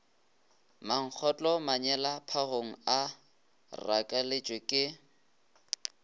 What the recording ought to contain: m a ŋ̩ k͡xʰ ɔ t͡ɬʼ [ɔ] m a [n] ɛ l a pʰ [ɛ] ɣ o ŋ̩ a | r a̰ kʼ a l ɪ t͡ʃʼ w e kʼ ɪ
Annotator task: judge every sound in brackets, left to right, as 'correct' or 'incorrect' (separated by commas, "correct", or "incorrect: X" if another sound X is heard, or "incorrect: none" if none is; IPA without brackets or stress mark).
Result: correct, incorrect: ɲ, incorrect: a